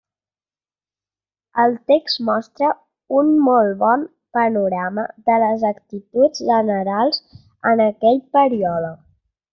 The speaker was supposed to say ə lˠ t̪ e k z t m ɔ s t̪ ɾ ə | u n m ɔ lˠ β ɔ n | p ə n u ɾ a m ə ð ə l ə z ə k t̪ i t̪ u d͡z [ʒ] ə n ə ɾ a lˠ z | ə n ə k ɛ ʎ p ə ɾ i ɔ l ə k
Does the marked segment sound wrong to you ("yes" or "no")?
no